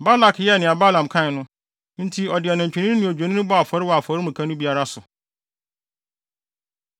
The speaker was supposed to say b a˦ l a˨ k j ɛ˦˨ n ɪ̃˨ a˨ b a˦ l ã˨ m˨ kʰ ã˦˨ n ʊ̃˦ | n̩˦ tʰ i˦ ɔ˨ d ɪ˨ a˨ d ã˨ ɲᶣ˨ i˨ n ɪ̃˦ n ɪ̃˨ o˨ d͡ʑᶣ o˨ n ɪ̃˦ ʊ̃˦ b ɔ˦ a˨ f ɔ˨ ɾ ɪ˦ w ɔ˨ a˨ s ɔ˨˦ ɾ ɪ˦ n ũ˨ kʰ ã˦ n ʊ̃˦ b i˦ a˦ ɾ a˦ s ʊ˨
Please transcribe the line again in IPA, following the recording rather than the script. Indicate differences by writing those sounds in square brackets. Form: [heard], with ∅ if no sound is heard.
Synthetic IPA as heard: b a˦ l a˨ k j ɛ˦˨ n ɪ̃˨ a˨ b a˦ l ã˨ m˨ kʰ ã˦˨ n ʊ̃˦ | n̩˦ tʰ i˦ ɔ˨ d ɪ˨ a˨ [n] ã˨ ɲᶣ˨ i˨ n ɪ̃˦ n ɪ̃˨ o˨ d͡ʑᶣ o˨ n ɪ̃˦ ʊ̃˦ b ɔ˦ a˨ f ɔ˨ ɾ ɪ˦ w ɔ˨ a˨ [f] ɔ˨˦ ɾ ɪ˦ [m] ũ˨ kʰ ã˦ n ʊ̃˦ b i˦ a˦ ɾ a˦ s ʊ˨